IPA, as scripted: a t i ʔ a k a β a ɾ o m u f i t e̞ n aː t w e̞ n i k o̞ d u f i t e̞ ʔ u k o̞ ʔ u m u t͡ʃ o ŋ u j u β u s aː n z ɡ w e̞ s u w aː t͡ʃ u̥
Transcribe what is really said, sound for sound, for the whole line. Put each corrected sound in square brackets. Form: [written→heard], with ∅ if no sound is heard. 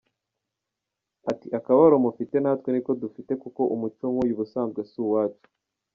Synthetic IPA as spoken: a t i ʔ a k a β a ɾ o m u f i t e̞ n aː t w e̞ n i k o̞ d u f i t e̞ [ʔ→k] u k o̞ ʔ u m u t͡ʃ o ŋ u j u β u s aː n z ɡ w e̞ s u w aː t͡ʃ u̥